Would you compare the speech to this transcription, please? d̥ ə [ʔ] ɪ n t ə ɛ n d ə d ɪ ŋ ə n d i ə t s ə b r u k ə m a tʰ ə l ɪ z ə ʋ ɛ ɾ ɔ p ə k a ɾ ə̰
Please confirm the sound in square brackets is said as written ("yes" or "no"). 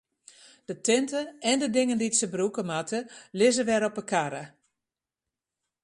no